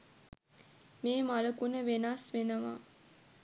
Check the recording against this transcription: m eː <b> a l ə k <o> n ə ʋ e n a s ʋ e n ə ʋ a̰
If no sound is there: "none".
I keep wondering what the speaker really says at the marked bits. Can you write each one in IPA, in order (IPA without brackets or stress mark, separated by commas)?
m, u